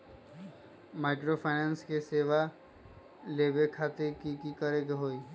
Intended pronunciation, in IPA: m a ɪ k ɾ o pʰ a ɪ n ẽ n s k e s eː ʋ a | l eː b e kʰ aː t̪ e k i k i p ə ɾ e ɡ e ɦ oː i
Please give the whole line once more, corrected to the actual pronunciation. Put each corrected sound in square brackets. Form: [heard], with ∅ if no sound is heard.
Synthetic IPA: m a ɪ k ɾ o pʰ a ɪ n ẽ n s k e s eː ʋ a | l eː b e kʰ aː t̪ e k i k i [k] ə ɾ e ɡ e ɦ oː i